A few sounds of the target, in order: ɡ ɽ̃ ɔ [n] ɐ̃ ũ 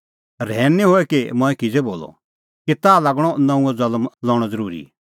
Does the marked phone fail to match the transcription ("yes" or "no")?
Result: no